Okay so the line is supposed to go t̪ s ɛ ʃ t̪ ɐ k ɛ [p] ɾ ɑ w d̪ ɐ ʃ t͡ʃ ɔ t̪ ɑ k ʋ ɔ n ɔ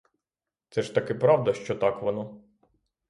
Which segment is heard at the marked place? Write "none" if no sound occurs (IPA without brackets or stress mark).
p